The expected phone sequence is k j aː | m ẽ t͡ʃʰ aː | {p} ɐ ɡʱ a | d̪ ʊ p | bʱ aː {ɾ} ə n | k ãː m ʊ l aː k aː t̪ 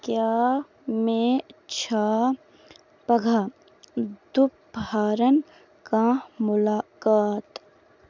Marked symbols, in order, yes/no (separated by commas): yes, yes